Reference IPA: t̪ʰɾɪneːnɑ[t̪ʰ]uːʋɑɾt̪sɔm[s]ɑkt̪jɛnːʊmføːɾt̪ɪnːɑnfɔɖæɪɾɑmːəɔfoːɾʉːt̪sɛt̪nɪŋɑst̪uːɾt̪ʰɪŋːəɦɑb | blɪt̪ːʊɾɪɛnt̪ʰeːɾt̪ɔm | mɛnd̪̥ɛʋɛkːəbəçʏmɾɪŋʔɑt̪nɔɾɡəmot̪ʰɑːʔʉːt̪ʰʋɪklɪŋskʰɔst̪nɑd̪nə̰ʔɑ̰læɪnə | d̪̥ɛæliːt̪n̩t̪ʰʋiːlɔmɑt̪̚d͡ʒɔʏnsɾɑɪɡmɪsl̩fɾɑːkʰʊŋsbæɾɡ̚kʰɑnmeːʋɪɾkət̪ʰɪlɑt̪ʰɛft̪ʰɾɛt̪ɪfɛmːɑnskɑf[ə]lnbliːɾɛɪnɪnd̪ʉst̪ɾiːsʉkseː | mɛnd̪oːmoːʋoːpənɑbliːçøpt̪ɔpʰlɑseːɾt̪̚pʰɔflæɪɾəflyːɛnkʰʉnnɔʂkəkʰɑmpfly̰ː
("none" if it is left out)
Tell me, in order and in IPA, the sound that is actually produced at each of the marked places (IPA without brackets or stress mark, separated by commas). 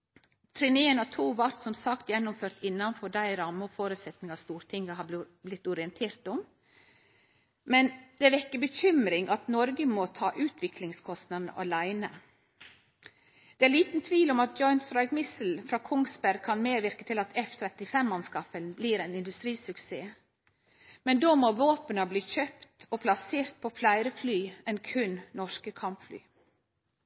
t̪ʰ, s, ə